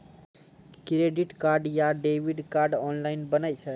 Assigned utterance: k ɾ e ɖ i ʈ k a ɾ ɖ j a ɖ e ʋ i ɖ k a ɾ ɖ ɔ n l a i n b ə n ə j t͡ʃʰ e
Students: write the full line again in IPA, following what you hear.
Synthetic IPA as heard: k ɾ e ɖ i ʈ k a ɾ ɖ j a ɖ e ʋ i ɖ k a ɾ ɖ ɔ n l a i n b ə n a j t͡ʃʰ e